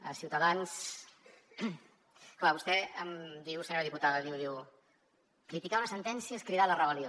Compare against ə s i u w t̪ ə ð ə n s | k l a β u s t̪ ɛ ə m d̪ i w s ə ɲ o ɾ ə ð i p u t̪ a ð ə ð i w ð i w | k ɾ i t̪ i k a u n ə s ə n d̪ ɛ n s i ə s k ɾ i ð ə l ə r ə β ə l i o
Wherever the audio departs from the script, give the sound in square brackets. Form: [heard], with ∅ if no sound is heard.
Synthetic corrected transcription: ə s i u w t̪ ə ð [a] n s | k l a β u s t̪ ɛ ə m d̪ i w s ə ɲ o ɾ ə ð i p u t̪ a ð ə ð i w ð i w | k ɾ i t̪ i k a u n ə s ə n [t̪] ɛ n s i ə s k ɾ i ð [a] l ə r ə β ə l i o